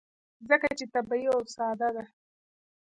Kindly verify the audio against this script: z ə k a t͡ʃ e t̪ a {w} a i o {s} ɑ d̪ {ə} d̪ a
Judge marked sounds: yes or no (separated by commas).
no, yes, no